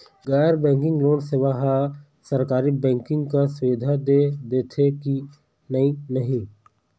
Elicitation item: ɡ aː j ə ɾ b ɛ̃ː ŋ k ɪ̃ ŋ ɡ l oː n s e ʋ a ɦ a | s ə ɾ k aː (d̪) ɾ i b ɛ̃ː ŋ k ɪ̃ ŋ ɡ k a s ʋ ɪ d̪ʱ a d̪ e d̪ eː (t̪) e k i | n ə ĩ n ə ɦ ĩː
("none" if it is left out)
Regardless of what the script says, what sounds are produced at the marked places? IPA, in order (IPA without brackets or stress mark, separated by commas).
none, t̪ʰ